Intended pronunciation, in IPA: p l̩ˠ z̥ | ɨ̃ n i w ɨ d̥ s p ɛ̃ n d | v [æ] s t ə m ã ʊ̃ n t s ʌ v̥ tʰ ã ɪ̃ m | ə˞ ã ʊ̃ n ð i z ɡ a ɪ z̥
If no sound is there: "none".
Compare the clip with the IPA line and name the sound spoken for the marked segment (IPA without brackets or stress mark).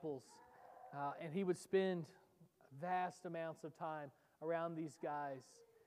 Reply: æ